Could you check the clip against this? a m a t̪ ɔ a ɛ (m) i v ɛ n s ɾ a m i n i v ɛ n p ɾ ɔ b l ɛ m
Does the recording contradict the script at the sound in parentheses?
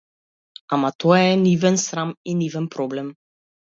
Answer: yes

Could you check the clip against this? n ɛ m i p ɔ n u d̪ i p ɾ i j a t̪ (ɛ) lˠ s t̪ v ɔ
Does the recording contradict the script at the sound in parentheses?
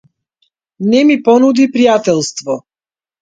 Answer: no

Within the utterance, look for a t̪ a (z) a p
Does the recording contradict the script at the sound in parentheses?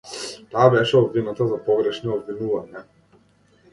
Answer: no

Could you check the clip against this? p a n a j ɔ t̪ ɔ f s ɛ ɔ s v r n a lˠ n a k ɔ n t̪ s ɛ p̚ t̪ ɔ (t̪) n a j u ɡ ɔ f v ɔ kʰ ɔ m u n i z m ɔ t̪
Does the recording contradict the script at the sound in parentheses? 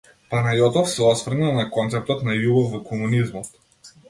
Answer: no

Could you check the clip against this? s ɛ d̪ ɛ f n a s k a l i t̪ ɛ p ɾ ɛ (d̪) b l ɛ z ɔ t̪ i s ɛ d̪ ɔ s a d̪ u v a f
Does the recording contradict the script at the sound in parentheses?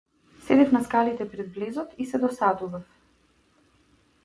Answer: no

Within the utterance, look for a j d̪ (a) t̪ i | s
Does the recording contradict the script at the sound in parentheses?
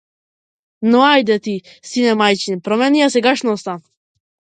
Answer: yes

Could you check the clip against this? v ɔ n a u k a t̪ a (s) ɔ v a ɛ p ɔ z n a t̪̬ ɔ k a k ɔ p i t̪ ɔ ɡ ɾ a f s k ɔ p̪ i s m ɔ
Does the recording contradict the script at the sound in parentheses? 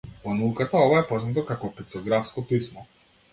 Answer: yes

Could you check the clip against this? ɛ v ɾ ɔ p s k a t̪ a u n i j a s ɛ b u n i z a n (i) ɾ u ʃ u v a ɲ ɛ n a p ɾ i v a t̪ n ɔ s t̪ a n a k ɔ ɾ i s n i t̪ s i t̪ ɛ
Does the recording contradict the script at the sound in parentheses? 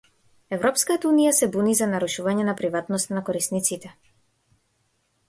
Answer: yes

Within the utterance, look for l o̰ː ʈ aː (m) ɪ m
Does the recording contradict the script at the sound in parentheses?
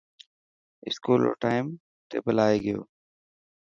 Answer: yes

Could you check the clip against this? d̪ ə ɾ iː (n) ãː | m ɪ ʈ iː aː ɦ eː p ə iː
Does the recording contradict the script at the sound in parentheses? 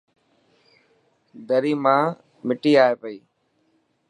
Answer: yes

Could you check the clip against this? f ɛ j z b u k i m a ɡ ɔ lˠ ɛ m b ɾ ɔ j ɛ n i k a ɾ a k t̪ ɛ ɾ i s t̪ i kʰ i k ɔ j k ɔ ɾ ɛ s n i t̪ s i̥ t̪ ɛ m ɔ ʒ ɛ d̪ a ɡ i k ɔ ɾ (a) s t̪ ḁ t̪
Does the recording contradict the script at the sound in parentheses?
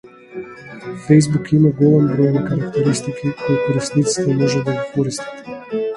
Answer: yes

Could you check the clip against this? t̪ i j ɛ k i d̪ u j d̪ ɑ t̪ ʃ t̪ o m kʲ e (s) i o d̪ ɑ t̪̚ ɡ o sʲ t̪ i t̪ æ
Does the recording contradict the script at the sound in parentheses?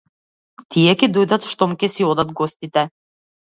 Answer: no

